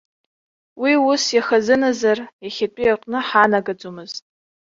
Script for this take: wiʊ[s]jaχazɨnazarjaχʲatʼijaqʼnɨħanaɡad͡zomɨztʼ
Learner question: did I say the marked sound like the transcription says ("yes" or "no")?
yes